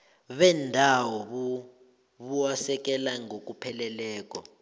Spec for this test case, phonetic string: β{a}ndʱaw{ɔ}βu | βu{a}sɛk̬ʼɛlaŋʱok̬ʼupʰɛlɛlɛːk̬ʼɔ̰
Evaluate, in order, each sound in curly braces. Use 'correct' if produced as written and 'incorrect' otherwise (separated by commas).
incorrect, correct, correct